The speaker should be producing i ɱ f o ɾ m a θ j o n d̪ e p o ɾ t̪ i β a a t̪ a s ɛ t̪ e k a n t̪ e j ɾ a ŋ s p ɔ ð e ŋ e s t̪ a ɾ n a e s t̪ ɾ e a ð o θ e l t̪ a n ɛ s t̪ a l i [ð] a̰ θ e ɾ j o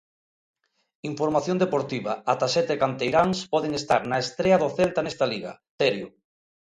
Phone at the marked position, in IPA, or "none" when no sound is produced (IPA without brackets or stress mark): ɣ